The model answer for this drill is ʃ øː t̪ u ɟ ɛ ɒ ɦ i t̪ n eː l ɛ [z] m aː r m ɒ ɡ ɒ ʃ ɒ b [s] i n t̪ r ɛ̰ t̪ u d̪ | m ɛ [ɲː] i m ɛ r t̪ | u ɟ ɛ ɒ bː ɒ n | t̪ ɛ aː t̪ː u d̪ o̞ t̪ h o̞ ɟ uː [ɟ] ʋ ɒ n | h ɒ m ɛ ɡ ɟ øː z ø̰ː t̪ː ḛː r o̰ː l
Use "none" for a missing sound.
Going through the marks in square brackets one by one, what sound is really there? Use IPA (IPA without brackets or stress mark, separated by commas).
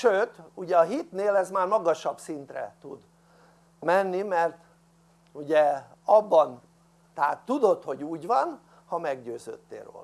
z, s, nː, ɟ